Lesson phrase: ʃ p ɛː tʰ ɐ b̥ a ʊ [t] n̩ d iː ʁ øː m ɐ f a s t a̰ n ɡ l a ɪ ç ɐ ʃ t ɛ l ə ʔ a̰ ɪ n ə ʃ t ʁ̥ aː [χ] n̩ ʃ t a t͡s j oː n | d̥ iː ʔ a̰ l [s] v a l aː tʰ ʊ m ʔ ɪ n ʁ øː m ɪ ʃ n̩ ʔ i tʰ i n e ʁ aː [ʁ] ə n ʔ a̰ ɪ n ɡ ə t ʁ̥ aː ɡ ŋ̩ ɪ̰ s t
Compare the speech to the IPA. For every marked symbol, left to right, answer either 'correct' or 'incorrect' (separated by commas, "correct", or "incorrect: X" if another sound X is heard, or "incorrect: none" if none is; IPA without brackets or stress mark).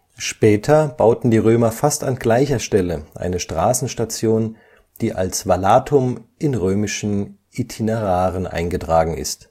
correct, incorrect: s, correct, correct